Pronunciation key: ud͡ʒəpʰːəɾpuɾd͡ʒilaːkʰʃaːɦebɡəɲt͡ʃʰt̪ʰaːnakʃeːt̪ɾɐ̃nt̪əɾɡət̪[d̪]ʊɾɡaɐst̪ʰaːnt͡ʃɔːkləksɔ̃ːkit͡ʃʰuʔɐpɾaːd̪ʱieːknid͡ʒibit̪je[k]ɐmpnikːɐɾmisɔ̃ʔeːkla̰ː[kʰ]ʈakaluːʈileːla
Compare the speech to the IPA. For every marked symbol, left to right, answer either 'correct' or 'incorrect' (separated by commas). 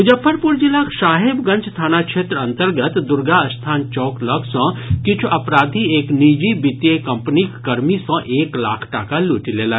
correct, correct, correct